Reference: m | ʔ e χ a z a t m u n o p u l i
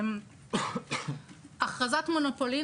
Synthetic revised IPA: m | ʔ a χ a z a t m o n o p o l i